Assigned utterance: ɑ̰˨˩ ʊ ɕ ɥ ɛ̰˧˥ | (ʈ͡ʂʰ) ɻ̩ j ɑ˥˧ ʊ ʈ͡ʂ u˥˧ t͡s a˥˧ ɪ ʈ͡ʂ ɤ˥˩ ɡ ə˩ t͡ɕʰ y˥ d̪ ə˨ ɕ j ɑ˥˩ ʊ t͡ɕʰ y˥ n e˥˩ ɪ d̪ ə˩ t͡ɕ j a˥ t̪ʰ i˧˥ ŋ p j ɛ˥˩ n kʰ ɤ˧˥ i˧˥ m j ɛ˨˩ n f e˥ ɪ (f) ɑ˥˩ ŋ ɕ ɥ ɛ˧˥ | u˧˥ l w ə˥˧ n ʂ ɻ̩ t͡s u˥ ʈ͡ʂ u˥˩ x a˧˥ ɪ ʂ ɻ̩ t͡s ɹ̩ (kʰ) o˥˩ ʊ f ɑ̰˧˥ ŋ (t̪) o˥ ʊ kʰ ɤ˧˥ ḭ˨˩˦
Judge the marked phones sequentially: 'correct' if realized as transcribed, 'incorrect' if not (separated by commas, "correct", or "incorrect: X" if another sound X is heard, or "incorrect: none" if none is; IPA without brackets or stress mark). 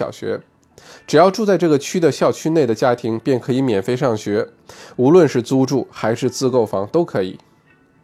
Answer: incorrect: ʈ͡ʂ, incorrect: ʂ, incorrect: k, correct